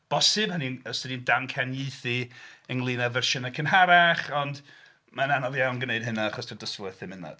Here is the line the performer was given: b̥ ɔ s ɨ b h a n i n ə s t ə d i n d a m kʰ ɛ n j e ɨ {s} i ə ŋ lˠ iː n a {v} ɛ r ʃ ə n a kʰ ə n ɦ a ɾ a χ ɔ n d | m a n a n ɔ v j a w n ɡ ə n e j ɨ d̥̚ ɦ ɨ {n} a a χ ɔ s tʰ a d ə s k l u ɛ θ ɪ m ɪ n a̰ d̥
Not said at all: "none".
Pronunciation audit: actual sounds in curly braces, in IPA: θ, v, n

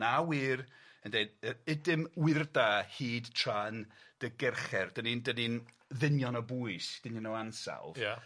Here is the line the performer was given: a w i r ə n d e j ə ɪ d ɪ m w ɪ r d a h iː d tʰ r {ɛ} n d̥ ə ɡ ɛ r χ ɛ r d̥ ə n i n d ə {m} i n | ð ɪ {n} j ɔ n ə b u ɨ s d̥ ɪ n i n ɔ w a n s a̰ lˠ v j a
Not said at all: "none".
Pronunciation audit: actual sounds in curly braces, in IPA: a, n, n

